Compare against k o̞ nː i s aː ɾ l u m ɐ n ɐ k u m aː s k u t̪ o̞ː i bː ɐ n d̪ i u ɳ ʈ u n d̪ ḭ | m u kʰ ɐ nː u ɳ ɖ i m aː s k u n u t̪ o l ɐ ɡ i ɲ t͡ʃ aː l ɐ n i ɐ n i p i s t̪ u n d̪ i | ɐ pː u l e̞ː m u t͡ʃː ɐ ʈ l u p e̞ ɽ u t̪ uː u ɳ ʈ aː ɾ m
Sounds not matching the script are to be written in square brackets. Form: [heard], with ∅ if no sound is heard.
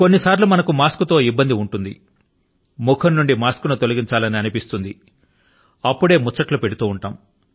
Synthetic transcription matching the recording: k o̞ nː i s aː ɾ l u m ɐ n ɐ k u m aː s k u t̪ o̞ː i bː ɐ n d̪ i u ɳ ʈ u n d̪ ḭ | m u kʰ ɐ nː u ɳ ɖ i m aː s k u n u t̪ o l ɐ ɡ i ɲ t͡ʃ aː l ɐ n i ɐ n i p i s t̪ u n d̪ i | ɐ pː u [ɽ] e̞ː m u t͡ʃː ɐ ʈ l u p e̞ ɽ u t̪ uː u ɳ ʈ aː [∅] m